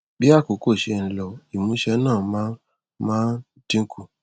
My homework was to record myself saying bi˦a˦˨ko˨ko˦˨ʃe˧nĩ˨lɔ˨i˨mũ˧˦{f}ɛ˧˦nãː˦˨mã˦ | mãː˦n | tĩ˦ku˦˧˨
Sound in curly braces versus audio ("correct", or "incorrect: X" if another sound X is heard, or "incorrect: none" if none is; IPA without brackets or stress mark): incorrect: ʃ